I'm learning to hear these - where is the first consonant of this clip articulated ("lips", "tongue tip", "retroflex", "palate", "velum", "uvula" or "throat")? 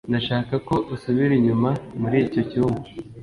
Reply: tongue tip